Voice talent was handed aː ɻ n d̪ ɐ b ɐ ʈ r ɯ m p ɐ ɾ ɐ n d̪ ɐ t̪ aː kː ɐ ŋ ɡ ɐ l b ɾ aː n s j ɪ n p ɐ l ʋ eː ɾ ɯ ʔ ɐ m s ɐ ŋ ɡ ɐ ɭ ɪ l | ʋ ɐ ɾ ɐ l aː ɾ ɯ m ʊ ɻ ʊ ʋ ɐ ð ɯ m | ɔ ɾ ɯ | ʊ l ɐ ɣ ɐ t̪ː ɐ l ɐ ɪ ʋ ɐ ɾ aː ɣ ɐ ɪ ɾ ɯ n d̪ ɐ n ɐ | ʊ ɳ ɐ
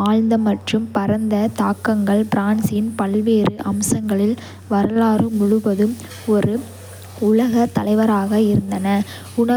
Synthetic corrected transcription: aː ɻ n d̪ ɐ m ɐ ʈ r ɯ m p ɐ ɾ ɐ n d̪ ɐ t̪ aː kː ɐ ŋ ɡ ɐ ɭ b ɾ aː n s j ɪ n p ɐ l ʋ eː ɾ ɯ ʔ ɐ m s ɐ ŋ ɡ ɐ ɭ ɪ l | ʋ ɐ ɾ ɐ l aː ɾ ɯ m ʊ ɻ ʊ ʋ ɐ ð ɯ m | ɔ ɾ ɯ | ʊ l ɐ ɣ ɐ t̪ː ɐ l ɐ ɪ ʋ ɐ ɾ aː ɣ ɐ ɪ ɾ ɯ n d̪ ɐ n ɐ | ʊ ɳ ɐ

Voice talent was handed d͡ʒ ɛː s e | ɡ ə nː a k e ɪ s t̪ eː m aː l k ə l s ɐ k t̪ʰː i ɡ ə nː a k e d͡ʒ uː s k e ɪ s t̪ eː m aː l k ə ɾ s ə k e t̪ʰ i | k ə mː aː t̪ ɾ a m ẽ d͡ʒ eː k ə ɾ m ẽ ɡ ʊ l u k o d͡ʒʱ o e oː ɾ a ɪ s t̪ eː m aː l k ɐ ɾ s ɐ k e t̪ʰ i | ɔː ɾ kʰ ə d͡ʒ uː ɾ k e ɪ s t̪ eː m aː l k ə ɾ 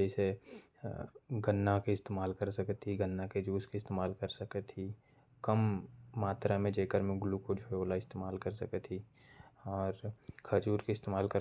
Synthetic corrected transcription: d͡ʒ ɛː s e | ɡ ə nː a k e ɪ s t̪ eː m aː l k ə ɾ s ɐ k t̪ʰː i ɡ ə nː a k e d͡ʒ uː s k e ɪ s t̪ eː m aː l k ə ɾ s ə k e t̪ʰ i | k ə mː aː t̪ ɾ a m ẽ d͡ʒ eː k ə ɾ m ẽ ɡ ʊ l u k o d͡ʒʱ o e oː l a ɪ s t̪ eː m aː l k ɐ ɾ s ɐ k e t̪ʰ i | ɔː ɾ kʰ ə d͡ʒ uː ɾ k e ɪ s t̪ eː m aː l k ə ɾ

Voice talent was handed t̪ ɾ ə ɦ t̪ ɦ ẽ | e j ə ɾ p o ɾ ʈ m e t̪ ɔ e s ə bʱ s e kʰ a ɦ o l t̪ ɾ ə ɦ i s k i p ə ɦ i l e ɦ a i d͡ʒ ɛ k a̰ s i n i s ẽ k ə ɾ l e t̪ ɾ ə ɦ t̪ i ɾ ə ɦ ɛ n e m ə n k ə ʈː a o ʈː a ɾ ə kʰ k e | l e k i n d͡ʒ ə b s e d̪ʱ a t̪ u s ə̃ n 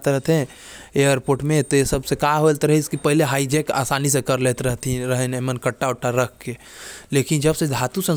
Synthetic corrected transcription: t̪ ɾ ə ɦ t̪ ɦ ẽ | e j ə ɾ p o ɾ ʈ m e t̪ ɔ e s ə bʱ s e k a ɦ o l t̪ ɾ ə ɦ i s k i p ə ɦ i l e ɦ a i d͡ʒ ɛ k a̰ s a n i s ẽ k ə ɾ l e t̪ ɾ ə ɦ t̪ i ɾ ə ɦ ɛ n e m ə n k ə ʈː a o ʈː a ɾ ə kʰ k e | l e k i n d͡ʒ ə b s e d̪ʱ a t̪ u s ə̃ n

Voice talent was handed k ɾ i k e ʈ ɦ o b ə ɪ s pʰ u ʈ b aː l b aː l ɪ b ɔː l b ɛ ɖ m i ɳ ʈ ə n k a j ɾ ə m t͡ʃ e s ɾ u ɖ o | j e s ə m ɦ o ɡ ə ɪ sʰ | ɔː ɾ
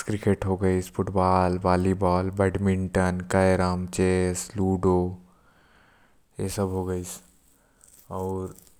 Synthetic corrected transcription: k ɾ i k e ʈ ɦ o ɡ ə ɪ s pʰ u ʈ b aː l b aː l i b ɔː l b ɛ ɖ m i ɳ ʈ ə n k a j ɾ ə m t͡ʃ e s l u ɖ o | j e s ə b ɦ o ɡ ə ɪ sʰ | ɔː ɾ

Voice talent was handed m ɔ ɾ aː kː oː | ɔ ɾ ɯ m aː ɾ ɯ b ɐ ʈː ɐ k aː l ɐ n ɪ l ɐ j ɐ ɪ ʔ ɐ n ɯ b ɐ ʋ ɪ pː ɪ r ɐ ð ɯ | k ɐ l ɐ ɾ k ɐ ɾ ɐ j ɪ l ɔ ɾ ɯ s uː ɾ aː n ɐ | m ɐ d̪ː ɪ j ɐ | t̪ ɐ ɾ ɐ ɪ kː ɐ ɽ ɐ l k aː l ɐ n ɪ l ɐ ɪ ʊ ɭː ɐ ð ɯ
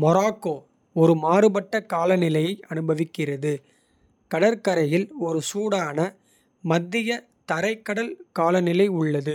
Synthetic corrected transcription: m ɔ ɾ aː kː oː | ɔ ɾ ɯ m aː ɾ ɯ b ɐ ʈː ɐ k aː l ɐ n ɪ l ɐ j ɐ ɪ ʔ ɐ n ɯ b ɐ ʋ ɪ kː ɪ r ɐ ð ɯ | k ɐ ɽ ɐ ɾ k ɐ ɾ ɐ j ɪ l ɔ ɾ ɯ s uː ɽ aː n ɐ | m ɐ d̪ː ɪ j ɐ | t̪ ɐ ɾ ɐ ɪ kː ɐ ɽ ɐ l k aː l ɐ n ɪ l ɐ ɪ ʊ ɭː ɐ ð ɯ

